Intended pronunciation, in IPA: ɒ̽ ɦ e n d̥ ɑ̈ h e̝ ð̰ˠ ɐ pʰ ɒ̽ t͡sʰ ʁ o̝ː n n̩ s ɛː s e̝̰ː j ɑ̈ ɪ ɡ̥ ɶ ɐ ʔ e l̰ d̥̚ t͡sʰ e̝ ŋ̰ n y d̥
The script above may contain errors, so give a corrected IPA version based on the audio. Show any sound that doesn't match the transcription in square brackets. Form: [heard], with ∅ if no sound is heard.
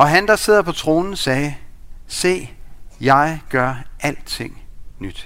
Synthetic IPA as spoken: ɒ̽ ɦ [æ] n d̥ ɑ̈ [s] e̝ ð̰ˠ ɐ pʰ ɒ̽ t͡sʰ ʁ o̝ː n n̩ s ɛː s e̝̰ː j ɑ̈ ɪ ɡ̥ ɶ ɐ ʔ [æ] l̰ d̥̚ t͡sʰ e̝ ŋ̰ n y d̥